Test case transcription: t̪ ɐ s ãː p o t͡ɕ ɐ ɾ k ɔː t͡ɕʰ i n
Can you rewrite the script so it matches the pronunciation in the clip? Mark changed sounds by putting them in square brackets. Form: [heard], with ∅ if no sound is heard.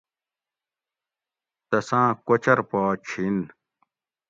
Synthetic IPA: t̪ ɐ s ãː [k] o t͡ɕ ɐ ɾ [p] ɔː t͡ɕʰ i n